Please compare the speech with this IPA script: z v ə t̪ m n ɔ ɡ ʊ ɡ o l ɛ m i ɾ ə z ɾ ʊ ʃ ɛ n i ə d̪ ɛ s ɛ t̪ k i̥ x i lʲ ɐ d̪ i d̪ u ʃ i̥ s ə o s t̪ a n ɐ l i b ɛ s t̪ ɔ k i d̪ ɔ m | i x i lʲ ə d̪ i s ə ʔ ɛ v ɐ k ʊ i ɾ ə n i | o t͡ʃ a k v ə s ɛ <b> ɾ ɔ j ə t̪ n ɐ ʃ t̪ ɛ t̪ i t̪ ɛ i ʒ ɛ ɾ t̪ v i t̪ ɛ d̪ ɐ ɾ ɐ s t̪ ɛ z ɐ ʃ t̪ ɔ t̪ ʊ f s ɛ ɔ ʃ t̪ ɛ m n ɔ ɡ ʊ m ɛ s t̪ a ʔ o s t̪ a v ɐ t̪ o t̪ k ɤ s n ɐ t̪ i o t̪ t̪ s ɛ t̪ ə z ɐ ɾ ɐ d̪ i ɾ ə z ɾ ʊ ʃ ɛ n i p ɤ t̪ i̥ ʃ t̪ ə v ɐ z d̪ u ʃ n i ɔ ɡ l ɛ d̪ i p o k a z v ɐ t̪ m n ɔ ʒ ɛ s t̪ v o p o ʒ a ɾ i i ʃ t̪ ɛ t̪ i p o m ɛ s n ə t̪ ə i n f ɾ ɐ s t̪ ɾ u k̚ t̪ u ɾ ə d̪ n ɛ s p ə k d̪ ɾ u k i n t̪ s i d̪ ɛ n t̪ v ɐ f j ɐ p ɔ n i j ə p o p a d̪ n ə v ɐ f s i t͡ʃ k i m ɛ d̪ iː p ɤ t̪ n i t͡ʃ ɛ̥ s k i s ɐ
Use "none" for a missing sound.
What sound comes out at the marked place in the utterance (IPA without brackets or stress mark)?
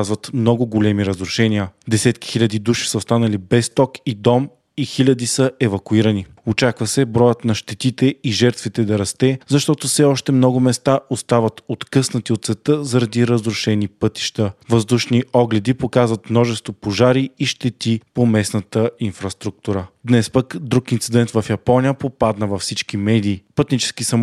b